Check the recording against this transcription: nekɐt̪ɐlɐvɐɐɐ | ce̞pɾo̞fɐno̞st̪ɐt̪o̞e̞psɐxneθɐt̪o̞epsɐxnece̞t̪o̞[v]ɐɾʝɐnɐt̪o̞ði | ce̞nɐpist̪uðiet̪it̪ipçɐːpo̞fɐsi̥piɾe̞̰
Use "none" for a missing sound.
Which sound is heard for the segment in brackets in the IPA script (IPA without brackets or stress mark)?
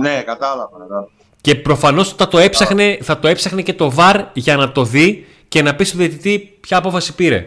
v